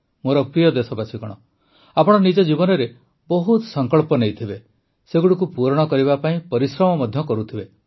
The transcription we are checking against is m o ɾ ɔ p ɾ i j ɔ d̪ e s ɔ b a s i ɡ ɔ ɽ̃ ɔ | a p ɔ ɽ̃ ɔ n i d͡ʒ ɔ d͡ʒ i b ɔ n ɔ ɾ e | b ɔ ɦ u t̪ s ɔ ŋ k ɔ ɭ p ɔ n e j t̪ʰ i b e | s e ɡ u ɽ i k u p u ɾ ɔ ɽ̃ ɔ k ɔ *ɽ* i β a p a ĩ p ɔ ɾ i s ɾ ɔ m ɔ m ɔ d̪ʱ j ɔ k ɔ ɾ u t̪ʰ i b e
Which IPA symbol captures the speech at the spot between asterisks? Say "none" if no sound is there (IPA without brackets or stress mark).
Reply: ɾ